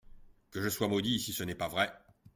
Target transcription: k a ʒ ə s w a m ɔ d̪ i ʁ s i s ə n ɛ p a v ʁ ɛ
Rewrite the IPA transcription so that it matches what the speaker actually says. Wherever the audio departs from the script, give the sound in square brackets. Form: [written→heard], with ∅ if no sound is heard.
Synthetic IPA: k [a→ə] ʒ ə s w a m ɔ d̪ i [ʁ→∅] s i s ə n ɛ p a v ʁ ɛ